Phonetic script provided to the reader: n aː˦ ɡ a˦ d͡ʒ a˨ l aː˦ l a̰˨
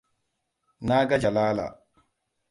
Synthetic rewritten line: n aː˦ ɡ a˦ d͡ʒ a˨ l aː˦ l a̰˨